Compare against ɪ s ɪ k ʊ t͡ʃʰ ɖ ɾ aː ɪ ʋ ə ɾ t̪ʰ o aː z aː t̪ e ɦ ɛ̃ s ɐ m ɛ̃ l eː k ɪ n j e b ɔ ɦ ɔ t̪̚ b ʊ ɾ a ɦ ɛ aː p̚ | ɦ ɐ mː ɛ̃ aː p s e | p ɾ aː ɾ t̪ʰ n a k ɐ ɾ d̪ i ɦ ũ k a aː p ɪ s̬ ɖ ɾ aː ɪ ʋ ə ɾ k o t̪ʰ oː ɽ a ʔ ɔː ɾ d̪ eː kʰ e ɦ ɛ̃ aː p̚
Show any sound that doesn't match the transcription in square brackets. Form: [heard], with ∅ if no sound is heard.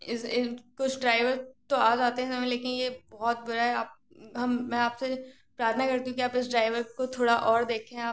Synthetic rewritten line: ɪ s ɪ k ʊ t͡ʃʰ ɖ ɾ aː ɪ ʋ ə ɾ [t̪] o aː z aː t̪ e ɦ ɛ̃ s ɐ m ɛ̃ l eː k ɪ n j e b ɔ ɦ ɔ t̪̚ b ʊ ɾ a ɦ ɛ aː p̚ | ɦ ɐ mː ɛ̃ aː p s e | p ɾ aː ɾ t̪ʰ n a k ɐ ɾ [t̪] i ɦ ũ k [i] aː p ɪ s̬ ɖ ɾ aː ɪ ʋ ə ɾ k o t̪ʰ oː ɽ a ʔ ɔː ɾ d̪ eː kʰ e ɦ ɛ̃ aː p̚

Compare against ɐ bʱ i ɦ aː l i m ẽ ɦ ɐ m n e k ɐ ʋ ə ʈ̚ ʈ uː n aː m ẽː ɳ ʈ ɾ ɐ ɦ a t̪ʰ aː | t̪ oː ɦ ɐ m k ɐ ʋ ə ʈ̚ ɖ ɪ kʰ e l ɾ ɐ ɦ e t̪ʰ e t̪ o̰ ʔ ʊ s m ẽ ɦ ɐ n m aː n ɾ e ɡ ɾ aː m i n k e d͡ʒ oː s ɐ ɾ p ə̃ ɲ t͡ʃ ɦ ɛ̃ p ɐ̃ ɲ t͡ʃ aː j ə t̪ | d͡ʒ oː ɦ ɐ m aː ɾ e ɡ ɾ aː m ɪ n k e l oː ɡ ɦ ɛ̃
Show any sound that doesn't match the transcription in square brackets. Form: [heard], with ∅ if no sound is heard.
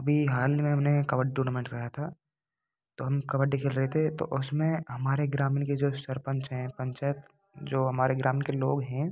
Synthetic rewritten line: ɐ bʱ i ɦ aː l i m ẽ ɦ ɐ m n e k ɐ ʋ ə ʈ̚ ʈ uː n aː m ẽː ɳ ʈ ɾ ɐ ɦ a t̪ʰ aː | t̪ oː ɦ ɐ m k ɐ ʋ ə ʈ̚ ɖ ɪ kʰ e l ɾ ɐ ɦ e t̪ʰ e t̪ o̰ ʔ ʊ s m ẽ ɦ ɐ [∅] m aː [∅] ɾ e ɡ ɾ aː m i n k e d͡ʒ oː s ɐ ɾ p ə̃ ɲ t͡ʃ ɦ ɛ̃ p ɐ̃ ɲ t͡ʃ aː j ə t̪ | d͡ʒ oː ɦ ɐ m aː ɾ e ɡ ɾ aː m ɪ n k e l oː ɡ ɦ ɛ̃

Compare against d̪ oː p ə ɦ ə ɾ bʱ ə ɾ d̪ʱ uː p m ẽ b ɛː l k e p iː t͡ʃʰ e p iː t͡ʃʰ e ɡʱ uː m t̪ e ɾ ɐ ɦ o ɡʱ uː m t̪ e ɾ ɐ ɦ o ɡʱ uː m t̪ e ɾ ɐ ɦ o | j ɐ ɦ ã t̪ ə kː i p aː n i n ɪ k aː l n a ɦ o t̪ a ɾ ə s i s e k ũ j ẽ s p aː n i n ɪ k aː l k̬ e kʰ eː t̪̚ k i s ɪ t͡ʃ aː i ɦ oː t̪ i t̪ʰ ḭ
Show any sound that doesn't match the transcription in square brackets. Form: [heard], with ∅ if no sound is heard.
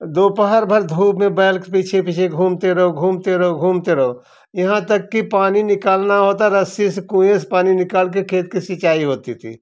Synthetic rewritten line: d̪ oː p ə ɦ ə ɾ bʱ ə ɾ d̪ʱ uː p m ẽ b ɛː l k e p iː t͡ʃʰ e p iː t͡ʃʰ e ɡʱ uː m t̪ e ɾ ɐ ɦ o ɡʱ uː m t̪ e ɾ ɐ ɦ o ɡʱ uː m t̪ e ɾ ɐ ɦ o | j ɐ ɦ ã t̪ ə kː i p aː n i n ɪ k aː l n a ɦ o t̪ a ɾ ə s i s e k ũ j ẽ s p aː n i n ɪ k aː l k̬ e kʰ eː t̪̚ k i s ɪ t͡ʃ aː i ɦ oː t̪ i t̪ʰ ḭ

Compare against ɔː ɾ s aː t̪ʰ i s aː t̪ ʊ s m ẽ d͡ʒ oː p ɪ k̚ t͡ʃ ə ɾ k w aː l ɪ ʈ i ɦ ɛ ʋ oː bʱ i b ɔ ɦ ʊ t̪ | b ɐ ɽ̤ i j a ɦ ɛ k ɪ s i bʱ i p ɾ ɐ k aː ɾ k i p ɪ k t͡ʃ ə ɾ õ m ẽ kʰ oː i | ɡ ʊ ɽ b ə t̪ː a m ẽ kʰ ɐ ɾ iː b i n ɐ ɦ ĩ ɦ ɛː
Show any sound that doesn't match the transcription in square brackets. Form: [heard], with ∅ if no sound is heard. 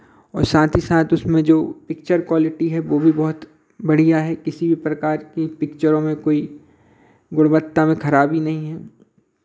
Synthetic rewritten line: ɔː ɾ s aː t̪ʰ i s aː t̪ ʊ s m ẽ d͡ʒ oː p ɪ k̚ t͡ʃ ə ɾ k w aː l ɪ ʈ i ɦ ɛ ʋ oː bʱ i b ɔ ɦ ʊ t̪ | b ɐ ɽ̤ i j a ɦ ɛ k ɪ s i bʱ i p ɾ ɐ k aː ɾ k i p ɪ k t͡ʃ ə ɾ õ m ẽ [k] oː i | ɡ ʊ ɽ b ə t̪ː a m ẽ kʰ ɐ ɾ [aː] b i n ɐ ɦ ĩ ɦ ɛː

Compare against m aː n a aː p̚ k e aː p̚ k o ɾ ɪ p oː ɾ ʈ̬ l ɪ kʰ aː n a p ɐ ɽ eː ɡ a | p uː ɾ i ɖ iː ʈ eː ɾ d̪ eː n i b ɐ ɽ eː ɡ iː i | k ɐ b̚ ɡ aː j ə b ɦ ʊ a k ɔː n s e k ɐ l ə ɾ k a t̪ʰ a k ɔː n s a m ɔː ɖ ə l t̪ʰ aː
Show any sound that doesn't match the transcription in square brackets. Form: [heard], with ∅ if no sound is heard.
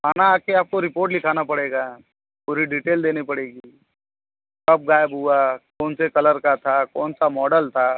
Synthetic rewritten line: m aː n a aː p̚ k e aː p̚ k o ɾ ɪ p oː ɾ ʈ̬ l ɪ kʰ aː n a p ɐ ɽ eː ɡ a | p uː ɾ i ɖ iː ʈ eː [l] d̪ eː n i [p] ɐ ɽ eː ɡ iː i | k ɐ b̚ ɡ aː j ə b ɦ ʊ a k ɔː n s e k ɐ l ə ɾ k a t̪ʰ a k ɔː n s a m ɔː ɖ ə l t̪ʰ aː

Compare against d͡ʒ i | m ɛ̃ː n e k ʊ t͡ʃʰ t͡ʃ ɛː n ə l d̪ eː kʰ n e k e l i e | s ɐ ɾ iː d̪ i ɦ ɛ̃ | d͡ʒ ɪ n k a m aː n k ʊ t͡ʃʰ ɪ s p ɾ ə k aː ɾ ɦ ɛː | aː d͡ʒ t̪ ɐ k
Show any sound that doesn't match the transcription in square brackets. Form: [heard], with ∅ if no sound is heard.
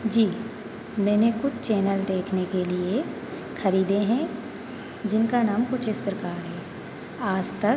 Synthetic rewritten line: d͡ʒ [iː] | m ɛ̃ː n e k ʊ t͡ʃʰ t͡ʃ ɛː n ə l d̪ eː kʰ n e k e l i e | [x] ɐ ɾ iː d̪ [e] ɦ ɛ̃ | d͡ʒ ɪ n k a [n] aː [m] k ʊ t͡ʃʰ ɪ s p ɾ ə k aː ɾ ɦ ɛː | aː d͡ʒ t̪ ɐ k

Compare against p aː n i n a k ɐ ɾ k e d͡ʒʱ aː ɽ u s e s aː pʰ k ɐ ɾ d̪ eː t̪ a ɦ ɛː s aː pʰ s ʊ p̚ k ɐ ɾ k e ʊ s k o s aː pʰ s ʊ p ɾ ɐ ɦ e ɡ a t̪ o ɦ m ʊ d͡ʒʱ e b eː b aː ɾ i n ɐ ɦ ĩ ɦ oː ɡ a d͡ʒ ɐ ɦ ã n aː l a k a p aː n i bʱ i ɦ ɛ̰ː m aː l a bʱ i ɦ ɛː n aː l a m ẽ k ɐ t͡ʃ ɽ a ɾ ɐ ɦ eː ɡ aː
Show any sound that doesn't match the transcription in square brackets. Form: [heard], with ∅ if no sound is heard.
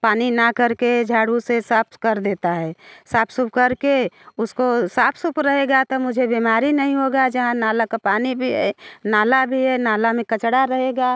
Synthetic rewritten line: p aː n i n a k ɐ ɾ k e d͡ʒʱ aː ɽ u s e s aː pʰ k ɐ ɾ d̪ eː t̪ a ɦ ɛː s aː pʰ s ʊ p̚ k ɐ ɾ k e ʊ s k o s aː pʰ s ʊ p ɾ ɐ ɦ e ɡ a t̪ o [∅] m ʊ d͡ʒʱ e b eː [m] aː ɾ i n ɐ ɦ ĩ ɦ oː ɡ a d͡ʒ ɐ ɦ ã n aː l a k a p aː n i bʱ i ɦ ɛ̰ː [n] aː l a bʱ i ɦ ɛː n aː l a m ẽ k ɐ t͡ʃ ɽ a ɾ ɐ ɦ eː ɡ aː

